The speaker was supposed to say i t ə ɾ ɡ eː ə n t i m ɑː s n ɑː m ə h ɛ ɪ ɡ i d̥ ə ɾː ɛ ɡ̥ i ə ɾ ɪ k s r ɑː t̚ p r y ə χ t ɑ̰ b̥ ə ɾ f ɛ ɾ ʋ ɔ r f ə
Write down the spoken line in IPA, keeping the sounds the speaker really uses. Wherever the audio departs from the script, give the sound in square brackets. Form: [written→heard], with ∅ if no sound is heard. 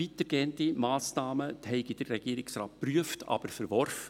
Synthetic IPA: i t ə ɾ ɡ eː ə n t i m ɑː s n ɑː m ə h ɛ ɪ ɡ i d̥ ə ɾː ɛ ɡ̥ i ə ɾ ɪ k s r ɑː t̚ p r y ə [χ→f] t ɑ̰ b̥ ə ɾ f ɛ ɾ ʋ ɔ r f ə